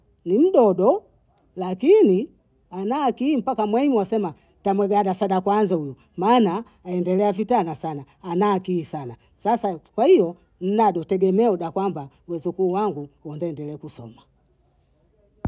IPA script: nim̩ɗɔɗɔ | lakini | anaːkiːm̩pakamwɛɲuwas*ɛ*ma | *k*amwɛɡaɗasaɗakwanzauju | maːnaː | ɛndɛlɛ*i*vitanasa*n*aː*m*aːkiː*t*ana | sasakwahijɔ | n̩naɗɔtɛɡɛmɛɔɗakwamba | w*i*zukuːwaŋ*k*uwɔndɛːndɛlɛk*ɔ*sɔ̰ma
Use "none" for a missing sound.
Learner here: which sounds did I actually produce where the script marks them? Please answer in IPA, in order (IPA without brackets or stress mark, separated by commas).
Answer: ɛ, t, a, n, n, s, ɛ, ɡ, u